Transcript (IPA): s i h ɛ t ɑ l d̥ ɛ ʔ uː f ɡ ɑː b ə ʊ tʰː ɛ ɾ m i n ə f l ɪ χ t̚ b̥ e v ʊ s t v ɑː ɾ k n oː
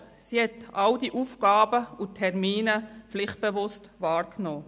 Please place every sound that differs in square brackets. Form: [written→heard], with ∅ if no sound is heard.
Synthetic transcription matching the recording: s i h ɛ t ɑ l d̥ [ɛ→i] ʔ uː f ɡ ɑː b ə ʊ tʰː ɛ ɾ m [i→iː] n ə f l ɪ χ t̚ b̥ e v ʊ s t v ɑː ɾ k n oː